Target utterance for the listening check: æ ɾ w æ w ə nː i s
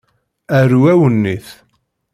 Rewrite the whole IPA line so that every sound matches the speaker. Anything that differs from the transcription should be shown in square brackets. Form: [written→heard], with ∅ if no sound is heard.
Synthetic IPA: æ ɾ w æ w ə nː i [s→θ]